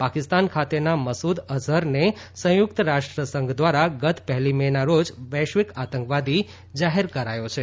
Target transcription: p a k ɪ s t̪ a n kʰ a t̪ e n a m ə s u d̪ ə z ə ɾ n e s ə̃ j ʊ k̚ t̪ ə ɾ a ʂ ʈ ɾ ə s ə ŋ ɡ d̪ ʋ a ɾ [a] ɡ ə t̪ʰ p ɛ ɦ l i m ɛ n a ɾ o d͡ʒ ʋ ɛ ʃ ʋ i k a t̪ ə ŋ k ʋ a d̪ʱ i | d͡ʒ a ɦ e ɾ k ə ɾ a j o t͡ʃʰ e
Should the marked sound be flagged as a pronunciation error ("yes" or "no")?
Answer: no